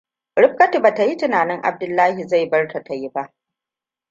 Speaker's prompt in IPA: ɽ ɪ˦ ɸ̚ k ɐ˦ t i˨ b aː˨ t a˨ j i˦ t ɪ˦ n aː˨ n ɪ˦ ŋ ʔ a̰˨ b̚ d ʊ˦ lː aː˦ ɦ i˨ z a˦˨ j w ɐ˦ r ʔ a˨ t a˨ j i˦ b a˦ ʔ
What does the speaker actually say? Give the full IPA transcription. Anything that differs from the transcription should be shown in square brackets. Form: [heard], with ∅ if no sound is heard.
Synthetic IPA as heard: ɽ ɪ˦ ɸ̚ k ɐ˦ t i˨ b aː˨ t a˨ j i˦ t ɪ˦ n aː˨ n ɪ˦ ŋ ʔ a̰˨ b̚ d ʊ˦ lː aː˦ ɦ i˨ z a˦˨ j [b] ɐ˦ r [t] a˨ t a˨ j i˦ b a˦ ʔ